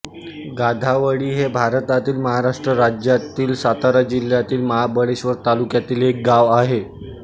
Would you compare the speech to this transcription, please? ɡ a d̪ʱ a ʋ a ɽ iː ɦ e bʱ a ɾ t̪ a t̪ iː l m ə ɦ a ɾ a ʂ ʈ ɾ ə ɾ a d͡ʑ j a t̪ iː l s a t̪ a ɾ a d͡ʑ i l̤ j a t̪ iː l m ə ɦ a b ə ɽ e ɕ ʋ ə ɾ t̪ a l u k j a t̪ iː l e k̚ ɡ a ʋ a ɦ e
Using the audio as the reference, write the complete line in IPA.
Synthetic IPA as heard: ɡ a d̪ʱ a ʋ ə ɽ iː ɦ e bʱ a ɾ t̪ a t̪ iː l m ə ɦ a ɾ a ʂ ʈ ɾ ə ɾ a d͡ʑ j a t̪ iː l s a t̪ a ɾ a d͡ʑ i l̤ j a t̪ iː l m ə ɦ a b ə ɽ e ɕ ʋ ə ɾ t̪ a l u k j a t̪ iː l e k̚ ɡ a ʋ a ɦ e